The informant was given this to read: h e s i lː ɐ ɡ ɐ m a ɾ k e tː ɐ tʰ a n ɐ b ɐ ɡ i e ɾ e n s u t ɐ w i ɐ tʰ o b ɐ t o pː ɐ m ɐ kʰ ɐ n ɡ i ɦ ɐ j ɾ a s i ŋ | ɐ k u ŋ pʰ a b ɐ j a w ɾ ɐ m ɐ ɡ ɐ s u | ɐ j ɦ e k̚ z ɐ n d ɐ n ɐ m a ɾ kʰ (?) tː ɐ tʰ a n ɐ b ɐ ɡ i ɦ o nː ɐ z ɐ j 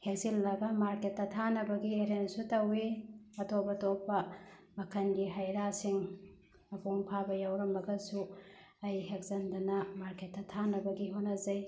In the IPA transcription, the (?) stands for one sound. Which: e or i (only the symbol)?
e